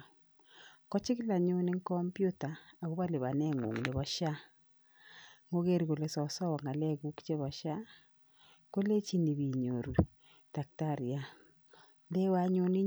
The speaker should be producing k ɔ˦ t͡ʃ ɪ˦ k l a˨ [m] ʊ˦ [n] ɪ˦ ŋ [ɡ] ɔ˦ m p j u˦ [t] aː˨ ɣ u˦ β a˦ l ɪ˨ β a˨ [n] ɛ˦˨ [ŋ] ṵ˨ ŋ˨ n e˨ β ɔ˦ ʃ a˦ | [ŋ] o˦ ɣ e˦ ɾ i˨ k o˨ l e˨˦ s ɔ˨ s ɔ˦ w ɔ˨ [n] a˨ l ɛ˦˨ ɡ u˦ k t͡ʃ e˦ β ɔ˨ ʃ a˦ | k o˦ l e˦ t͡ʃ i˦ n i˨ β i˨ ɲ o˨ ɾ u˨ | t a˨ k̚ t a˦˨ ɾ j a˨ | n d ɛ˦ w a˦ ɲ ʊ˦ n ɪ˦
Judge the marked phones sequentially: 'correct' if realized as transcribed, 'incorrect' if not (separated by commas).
incorrect, correct, incorrect, correct, correct, correct, correct, incorrect